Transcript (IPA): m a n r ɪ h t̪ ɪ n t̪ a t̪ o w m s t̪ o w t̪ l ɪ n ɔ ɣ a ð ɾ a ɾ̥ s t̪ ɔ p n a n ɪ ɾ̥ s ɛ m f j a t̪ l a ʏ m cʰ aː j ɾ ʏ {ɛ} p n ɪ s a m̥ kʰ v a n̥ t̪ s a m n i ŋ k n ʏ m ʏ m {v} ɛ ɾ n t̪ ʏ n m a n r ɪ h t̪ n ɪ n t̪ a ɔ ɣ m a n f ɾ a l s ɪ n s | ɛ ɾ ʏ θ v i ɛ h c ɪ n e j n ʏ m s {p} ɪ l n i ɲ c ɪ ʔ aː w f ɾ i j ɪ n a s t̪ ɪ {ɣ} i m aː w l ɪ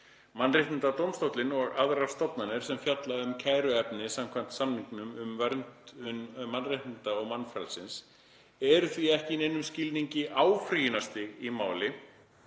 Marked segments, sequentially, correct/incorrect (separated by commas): correct, correct, incorrect, correct